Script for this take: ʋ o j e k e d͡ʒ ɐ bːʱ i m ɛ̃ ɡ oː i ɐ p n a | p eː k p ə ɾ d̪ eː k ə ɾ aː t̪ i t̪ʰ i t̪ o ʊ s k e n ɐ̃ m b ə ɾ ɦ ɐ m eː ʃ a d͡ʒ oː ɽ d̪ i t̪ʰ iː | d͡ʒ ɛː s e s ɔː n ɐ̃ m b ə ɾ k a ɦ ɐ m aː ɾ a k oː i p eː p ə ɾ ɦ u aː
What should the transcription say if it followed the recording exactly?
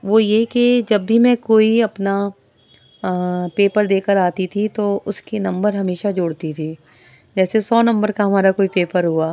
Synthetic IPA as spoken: ʋ o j e k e d͡ʒ ɐ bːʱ i m ɛ̃ k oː i ɐ p n a | p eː p ə ɾ d̪ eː k ə ɾ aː t̪ i t̪ʰ i t̪ o ʊ s k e n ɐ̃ m b ə ɾ ɦ ɐ m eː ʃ a d͡ʒ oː ɽ t̪ i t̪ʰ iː | d͡ʒ ɛː s e s ɔː n ɐ̃ m b ə ɾ k a ɦ ɐ m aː ɾ a k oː i p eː p ə ɾ ɦ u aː

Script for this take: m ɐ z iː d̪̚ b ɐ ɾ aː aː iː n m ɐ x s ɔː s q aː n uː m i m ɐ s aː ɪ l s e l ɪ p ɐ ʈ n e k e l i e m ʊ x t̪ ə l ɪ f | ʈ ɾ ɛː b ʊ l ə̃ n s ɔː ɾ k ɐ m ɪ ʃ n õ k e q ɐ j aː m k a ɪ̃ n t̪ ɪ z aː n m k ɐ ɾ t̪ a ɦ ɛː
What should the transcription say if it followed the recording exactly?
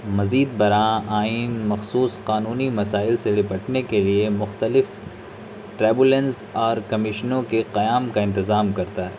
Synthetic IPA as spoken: m ɐ z iː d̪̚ b ɐ ɾ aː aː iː n m ɐ x s uː s q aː n uː n i m ɐ s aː ɪ l s e l ɪ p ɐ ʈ n e k e l i e m ʊ x t̪ ə l ɪ f | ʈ ɾ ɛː b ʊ l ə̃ n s ɔː ɾ k ɐ m ɪ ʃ n õ k e q ɐ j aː m k a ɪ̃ n t̪ ɪ z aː m k ɐ ɾ t̪ a ɦ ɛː

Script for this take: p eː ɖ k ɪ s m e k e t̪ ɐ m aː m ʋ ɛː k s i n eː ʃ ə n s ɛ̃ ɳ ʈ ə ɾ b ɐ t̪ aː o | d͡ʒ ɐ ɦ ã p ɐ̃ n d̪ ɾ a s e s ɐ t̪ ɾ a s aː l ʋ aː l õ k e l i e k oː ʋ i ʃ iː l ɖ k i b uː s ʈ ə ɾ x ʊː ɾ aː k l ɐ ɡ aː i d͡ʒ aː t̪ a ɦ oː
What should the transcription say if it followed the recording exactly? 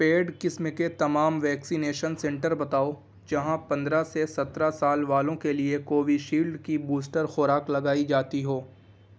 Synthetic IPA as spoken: p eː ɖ k ɪ s m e k e t̪ ɐ m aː m ʋ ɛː k s i n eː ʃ ə n s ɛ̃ ɳ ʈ ə ɾ b ɐ t̪ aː o | d͡ʒ ɐ ɦ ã p ɐ̃ n d̪ ɾ a s e s ɐ t̪ ɾ a s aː l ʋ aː l õ k e l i e k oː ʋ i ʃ iː l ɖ k i b uː s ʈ ə ɾ x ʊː ɾ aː k l ɐ ɡ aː i d͡ʒ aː t̪ i ɦ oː

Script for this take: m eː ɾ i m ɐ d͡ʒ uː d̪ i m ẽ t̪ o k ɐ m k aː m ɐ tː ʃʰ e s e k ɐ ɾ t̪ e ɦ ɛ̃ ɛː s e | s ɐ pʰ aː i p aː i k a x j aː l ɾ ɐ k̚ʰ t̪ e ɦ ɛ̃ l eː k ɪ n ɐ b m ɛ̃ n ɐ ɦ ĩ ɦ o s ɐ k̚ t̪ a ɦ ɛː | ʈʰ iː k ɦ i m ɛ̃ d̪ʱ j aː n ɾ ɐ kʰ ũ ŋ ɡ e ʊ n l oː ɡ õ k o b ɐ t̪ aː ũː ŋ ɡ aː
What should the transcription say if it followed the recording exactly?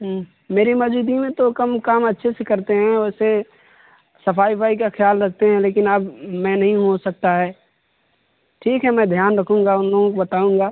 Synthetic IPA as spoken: m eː ɾ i m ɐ d͡ʒ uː d̪ i m ẽ t̪ o k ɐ m k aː m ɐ tː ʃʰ e s e k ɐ ɾ t̪ e ɦ ɛ̃ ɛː s e | s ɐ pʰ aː i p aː i k a x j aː l ɾ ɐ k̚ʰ t̪ e ɦ ɛ̃ l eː k ɪ n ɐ b m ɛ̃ n ɐ ɦ ĩ ɦ o s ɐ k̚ t̪ a ɦ ɛː | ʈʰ iː k ɦ ɛ m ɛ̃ d̪ʱ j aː n ɾ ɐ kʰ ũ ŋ ɡ a ʊ n l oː ɡ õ k o b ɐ t̪ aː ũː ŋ ɡ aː

